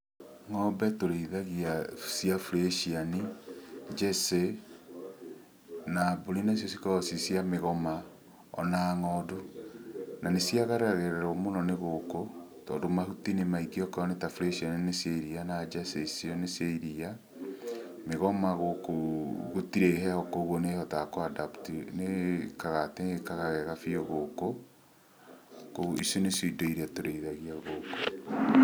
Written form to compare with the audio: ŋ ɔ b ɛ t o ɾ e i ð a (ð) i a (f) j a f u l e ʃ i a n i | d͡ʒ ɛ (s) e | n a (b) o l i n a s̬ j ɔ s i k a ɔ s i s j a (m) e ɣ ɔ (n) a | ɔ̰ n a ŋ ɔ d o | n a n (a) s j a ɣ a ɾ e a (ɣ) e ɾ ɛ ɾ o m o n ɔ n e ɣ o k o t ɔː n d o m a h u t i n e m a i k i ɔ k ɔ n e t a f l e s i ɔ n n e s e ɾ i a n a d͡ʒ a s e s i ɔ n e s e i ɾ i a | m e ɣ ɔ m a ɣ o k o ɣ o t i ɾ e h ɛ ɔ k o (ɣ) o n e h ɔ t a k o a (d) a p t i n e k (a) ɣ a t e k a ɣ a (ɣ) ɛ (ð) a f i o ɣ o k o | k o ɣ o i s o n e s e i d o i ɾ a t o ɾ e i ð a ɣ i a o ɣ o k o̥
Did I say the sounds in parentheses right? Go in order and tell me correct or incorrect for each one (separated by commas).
incorrect, incorrect, correct, correct, correct, incorrect, incorrect, correct, correct, correct, correct, correct, incorrect